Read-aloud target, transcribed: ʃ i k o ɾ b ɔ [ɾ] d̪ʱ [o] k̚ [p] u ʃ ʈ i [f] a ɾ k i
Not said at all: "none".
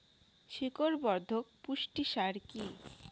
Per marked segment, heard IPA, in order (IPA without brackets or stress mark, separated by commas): ɾ, o, p, ʃ